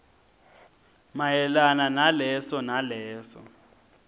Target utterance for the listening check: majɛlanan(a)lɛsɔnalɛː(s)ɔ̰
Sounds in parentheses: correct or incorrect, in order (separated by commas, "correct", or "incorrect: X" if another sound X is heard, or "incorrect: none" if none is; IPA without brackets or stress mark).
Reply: correct, correct